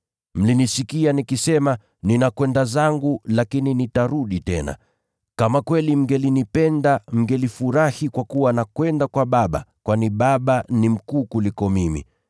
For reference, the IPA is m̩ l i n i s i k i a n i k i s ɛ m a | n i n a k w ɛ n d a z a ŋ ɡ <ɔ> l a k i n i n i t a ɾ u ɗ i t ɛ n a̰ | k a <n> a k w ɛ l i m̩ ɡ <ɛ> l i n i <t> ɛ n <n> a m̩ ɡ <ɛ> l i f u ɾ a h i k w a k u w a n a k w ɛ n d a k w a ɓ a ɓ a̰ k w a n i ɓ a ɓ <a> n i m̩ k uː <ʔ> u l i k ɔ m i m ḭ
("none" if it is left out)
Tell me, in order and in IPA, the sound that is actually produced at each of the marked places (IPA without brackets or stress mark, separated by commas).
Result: u, m, ɛ, p, d, ɛ, a, k